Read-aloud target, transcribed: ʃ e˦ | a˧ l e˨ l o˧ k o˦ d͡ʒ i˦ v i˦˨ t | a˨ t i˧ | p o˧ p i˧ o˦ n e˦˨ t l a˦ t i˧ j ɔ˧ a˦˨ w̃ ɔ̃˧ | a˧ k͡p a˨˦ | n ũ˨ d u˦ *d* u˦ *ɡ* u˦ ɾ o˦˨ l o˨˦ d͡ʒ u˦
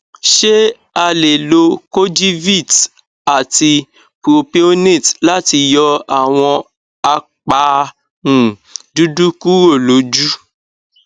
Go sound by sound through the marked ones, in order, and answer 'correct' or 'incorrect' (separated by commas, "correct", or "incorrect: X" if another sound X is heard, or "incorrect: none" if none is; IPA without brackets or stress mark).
correct, incorrect: k